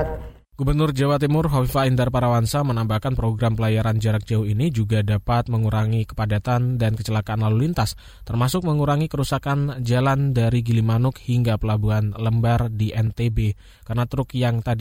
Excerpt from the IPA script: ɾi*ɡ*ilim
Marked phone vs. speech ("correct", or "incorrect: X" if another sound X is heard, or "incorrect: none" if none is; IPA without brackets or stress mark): correct